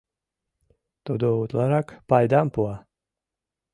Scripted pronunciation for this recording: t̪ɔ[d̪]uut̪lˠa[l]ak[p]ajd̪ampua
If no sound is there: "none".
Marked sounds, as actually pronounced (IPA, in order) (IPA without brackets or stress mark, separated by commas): d̪, ɾ, p